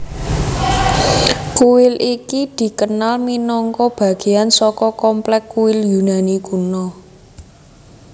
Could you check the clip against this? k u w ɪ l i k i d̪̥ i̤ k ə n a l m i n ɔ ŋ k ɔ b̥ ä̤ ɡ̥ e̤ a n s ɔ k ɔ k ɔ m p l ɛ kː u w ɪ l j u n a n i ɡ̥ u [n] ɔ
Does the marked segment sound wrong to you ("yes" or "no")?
no